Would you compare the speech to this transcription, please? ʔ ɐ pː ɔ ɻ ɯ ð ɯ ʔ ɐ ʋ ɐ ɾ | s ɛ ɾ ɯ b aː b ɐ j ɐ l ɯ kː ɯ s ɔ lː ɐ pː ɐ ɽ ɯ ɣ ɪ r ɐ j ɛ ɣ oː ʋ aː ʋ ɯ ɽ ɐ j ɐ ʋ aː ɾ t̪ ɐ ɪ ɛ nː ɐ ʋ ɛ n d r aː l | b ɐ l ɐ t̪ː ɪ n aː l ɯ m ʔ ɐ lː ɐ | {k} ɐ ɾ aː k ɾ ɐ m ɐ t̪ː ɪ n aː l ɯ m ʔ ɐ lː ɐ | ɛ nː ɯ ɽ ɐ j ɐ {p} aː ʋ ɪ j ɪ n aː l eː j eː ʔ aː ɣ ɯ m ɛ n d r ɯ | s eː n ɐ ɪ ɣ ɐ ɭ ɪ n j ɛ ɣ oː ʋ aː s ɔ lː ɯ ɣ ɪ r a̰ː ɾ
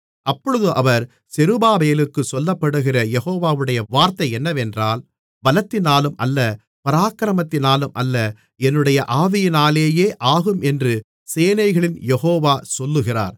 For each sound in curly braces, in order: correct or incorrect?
incorrect: p, incorrect: ʔ

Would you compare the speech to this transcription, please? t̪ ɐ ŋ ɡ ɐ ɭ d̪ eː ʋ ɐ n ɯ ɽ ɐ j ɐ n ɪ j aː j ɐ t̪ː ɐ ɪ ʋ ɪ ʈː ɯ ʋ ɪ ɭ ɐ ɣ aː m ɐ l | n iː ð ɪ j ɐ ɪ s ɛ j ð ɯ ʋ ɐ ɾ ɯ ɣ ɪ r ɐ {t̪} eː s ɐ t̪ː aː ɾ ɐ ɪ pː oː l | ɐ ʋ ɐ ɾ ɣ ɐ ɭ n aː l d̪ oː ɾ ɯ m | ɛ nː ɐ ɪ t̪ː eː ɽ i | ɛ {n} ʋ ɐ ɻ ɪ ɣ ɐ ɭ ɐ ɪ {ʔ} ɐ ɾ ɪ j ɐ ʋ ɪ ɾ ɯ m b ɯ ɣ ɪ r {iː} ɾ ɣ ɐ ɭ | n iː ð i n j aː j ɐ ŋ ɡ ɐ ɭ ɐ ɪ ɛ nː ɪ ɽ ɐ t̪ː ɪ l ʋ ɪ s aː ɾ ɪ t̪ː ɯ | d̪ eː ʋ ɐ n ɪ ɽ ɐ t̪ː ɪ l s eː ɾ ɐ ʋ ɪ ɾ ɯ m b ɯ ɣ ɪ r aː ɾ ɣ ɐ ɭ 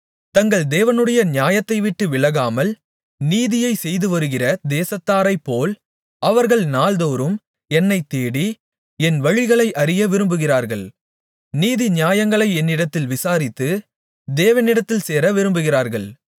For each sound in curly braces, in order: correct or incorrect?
incorrect: d̪, correct, correct, incorrect: aː

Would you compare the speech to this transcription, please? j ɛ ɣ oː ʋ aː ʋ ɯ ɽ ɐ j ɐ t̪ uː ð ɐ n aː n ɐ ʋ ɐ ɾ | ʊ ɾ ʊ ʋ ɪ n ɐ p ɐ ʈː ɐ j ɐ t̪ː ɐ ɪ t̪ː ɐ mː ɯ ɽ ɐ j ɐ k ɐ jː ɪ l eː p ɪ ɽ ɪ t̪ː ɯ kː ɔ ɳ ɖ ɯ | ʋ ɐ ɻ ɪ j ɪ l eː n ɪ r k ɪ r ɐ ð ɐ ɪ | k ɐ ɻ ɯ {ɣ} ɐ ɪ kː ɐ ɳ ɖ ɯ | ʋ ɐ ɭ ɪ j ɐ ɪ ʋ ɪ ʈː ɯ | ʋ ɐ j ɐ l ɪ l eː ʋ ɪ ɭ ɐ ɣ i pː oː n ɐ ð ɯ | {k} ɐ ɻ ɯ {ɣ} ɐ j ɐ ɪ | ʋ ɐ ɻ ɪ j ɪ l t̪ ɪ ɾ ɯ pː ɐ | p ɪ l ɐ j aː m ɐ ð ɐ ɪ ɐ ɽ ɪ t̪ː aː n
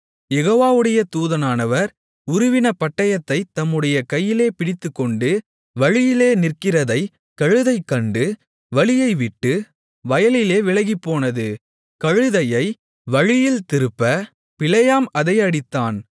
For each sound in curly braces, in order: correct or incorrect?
incorrect: ð, correct, incorrect: ð

